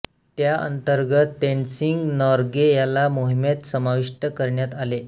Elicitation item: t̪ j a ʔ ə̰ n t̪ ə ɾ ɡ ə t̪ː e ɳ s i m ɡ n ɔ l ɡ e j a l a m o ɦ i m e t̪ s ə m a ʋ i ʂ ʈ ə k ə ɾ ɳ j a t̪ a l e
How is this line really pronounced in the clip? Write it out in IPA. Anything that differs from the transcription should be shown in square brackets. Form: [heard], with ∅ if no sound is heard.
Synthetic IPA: t̪ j a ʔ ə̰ n t̪ ə ɾ ɡ ə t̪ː e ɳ s i [ŋ] ɡ n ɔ [ɾ] ɡ e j a l a m o ɦ i m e t̪ s ə m a ʋ i ʂ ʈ ə k ə ɾ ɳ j a t̪ a l e